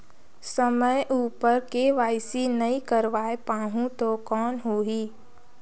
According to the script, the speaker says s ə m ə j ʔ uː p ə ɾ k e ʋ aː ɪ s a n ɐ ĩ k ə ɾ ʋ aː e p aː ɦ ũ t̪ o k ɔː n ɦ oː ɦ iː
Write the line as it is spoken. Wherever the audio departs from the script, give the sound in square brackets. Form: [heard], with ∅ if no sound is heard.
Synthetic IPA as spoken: s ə m ə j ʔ uː p ə ɾ k e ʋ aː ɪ s [i] n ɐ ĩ k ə ɾ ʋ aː e p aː ɦ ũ t̪ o k ɔː n ɦ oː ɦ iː